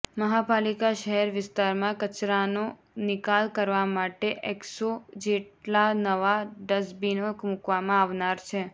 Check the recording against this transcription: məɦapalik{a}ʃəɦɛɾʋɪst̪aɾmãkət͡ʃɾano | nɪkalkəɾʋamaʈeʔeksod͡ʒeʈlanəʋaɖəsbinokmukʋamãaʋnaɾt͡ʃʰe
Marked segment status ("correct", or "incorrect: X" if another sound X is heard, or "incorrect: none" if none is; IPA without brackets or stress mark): correct